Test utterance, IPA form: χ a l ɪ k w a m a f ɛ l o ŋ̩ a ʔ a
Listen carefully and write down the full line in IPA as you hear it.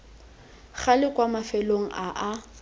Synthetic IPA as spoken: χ a l ɪ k w a m a f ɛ l o ŋ̩ a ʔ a